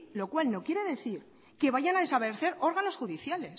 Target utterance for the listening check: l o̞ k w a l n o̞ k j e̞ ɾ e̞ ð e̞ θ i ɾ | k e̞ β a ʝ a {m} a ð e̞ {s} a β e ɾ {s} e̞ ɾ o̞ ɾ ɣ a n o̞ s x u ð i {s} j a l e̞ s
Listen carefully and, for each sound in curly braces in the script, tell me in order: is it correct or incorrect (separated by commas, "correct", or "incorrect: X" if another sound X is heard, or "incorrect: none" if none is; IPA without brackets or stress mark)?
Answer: incorrect: n, correct, incorrect: θ, incorrect: θ